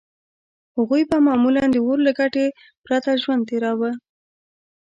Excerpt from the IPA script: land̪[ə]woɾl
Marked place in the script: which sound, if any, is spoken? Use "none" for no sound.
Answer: ə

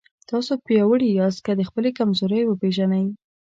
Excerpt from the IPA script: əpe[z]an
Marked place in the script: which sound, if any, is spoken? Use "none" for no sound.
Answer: ʒ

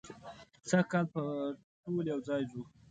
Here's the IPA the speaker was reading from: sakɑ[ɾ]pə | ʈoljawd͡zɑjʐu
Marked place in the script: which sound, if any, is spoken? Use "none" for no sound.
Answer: l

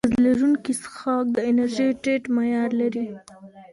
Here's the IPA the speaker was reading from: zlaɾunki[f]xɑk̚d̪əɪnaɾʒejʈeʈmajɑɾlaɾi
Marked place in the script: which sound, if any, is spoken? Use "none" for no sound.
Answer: s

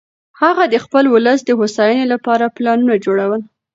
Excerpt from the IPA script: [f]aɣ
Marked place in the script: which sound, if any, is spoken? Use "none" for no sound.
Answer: h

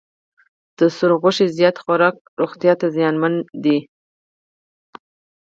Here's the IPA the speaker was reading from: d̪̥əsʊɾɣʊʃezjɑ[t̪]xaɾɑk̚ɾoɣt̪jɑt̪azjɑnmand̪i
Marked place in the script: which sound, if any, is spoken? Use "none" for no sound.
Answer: t̪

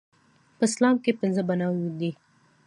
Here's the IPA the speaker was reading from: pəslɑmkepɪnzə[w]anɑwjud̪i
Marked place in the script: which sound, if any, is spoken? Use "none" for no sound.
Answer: b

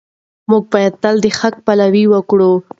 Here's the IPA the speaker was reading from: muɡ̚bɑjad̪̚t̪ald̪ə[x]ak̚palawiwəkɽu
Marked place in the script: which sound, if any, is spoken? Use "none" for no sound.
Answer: x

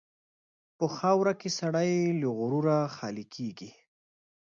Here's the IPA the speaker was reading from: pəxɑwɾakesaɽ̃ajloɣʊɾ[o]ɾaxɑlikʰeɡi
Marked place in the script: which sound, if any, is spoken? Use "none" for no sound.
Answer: u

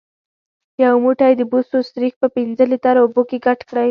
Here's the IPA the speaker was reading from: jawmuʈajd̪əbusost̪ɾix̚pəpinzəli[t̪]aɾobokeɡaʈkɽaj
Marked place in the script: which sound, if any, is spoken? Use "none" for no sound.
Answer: t̪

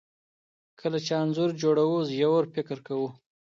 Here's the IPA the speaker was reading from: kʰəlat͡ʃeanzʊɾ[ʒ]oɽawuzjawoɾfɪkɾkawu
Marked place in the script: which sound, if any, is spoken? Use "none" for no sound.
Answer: d͡ʒ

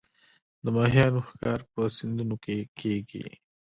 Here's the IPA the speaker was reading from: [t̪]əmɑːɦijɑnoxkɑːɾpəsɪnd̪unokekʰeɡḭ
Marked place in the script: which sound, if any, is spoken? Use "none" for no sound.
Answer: d̪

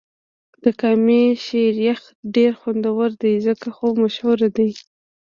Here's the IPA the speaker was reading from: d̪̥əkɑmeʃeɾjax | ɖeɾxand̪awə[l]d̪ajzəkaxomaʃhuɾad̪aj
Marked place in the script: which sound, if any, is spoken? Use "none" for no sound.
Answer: ɾ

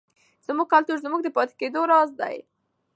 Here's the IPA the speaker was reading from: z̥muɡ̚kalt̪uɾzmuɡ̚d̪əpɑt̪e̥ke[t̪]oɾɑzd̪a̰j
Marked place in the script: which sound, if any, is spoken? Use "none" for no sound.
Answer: d̪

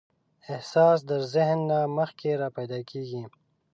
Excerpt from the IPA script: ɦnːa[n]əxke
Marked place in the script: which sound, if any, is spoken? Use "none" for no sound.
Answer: m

